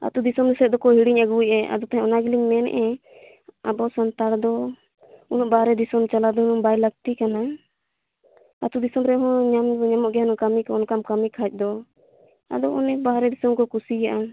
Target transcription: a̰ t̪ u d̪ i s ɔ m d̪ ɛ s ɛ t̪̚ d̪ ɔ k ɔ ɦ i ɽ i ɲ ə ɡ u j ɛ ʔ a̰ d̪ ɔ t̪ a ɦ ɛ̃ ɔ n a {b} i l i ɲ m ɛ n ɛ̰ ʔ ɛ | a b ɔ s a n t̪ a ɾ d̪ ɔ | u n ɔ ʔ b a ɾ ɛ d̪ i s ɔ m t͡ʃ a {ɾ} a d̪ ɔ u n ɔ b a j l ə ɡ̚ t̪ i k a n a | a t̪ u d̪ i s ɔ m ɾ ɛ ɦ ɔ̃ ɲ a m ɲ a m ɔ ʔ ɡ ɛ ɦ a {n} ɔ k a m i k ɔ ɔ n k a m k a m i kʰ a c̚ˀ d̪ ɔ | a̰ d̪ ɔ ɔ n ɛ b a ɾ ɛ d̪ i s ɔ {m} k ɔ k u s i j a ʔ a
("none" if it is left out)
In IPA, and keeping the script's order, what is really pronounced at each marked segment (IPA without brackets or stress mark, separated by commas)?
ɡ, l, n, m